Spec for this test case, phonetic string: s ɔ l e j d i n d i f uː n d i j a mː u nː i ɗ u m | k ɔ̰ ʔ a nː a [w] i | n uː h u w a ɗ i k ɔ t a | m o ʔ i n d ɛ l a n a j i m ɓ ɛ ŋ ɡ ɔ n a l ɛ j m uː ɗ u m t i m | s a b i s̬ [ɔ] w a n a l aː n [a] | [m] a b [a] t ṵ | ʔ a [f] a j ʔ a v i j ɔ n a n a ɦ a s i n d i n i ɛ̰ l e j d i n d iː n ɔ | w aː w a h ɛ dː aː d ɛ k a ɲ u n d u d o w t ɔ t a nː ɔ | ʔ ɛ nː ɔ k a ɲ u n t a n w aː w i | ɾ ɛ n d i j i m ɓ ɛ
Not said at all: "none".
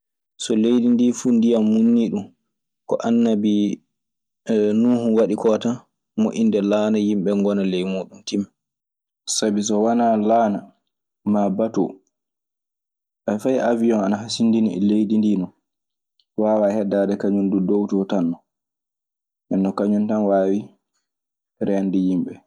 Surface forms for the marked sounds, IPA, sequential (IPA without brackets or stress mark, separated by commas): b, ɔ, a, m, a, f